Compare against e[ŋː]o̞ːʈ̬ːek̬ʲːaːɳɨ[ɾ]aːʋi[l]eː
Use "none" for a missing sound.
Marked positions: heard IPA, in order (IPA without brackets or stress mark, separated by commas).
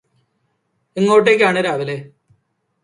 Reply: ŋː, ɾ, l